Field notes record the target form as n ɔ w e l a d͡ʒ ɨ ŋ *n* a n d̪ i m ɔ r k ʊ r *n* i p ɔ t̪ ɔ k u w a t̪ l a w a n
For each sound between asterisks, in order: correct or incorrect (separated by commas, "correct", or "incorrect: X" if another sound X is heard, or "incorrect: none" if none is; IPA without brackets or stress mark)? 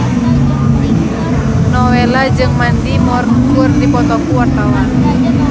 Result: incorrect: m, incorrect: d